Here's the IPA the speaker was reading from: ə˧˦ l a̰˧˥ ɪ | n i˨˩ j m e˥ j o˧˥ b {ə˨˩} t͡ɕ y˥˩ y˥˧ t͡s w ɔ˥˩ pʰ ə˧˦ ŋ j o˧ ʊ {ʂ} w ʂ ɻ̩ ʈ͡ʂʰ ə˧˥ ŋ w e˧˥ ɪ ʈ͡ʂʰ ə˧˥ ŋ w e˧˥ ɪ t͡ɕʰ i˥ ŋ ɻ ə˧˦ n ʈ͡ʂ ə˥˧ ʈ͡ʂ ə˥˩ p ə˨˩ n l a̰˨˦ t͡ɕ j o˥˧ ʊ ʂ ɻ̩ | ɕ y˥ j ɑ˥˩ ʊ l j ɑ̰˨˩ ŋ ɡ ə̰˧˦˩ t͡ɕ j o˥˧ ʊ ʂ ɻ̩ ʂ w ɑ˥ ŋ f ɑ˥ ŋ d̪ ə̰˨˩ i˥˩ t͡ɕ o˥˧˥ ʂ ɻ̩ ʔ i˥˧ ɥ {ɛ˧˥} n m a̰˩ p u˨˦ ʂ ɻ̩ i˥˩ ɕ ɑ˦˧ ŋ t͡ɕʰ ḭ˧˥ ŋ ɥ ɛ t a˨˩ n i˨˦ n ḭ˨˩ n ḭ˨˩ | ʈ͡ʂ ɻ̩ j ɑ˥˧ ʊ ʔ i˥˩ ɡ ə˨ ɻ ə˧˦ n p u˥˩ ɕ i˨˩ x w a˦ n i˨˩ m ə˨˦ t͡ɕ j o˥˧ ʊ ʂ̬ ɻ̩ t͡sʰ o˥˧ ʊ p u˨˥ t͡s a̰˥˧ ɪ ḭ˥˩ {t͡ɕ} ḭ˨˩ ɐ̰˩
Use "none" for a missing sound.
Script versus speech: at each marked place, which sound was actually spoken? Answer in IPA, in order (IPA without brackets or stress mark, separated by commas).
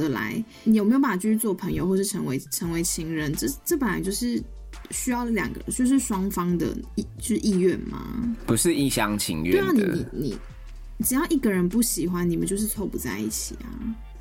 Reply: a˨˩, x, ɛ˥˩, t͡ɕʰ